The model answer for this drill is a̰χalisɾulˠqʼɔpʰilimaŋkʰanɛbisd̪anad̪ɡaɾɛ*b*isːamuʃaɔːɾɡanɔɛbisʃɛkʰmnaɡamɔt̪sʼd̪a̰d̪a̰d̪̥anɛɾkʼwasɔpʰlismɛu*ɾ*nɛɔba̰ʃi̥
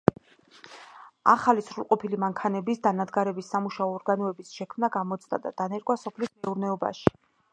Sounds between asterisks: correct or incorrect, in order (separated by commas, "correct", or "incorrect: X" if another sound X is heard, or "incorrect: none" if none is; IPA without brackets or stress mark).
correct, correct